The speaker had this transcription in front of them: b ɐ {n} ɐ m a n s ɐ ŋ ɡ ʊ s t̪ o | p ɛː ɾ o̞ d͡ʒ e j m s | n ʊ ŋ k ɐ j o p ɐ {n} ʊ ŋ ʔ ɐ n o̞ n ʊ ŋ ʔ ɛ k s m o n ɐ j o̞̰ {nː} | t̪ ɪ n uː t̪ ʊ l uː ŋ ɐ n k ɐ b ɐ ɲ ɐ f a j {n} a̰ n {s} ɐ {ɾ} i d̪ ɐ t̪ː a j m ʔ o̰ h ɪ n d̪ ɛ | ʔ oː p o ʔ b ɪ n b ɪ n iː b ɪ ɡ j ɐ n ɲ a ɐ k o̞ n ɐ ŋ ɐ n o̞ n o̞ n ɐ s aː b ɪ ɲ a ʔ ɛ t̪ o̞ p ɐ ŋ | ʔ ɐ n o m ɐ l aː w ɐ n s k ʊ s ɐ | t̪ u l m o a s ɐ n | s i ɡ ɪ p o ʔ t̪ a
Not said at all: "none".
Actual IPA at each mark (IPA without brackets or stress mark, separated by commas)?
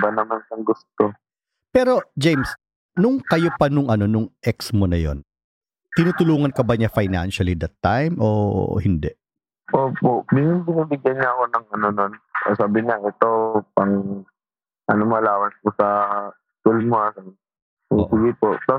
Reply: n, n, n, n, ʃ, l